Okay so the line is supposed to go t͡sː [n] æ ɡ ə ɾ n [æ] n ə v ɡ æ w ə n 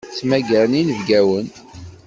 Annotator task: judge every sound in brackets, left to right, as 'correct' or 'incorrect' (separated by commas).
incorrect, incorrect